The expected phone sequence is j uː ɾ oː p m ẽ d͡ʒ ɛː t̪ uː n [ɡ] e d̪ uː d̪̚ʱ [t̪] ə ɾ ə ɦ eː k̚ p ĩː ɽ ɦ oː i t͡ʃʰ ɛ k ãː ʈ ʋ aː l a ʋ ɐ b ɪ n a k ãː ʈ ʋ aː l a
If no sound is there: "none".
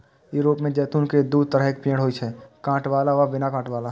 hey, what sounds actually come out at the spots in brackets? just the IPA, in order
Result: k, t̪

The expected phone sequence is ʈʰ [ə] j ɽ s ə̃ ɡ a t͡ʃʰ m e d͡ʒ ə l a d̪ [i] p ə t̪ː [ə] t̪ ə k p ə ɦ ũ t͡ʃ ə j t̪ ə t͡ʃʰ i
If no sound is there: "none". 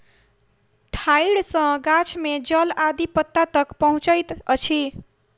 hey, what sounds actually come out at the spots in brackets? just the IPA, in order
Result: a, i, a

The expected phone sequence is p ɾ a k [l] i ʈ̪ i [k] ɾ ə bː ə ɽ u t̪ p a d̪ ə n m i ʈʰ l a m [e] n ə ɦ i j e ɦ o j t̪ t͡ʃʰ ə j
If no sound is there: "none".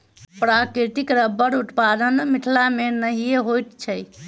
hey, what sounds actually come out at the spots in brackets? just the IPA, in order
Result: ɾ, k, e

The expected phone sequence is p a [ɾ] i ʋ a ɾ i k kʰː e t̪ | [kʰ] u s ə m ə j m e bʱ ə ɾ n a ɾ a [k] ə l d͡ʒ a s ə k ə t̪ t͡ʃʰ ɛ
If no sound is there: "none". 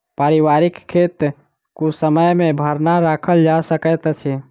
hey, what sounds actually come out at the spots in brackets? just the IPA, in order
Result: ɾ, k, kʰ

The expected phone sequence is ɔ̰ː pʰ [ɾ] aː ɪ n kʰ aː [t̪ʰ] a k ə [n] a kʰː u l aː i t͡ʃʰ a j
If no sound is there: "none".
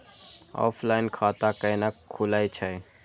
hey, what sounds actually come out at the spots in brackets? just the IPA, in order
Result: l, t̪, n

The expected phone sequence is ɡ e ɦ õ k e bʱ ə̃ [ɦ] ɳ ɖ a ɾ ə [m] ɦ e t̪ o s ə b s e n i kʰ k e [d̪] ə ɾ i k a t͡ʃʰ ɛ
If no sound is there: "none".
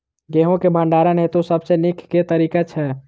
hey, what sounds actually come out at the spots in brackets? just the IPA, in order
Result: none, n, t̪

